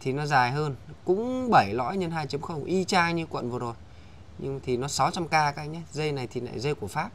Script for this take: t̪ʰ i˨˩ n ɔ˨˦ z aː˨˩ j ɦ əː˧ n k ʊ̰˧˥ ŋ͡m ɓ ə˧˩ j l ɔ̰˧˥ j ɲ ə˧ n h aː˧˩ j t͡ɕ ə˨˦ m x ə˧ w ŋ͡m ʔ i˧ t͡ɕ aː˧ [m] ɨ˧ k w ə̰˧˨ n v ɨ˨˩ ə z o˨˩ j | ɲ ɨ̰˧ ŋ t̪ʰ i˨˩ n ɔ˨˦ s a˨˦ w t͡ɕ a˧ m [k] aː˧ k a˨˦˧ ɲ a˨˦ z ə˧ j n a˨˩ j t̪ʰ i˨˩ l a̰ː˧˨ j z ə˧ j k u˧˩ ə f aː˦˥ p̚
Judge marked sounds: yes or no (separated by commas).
no, yes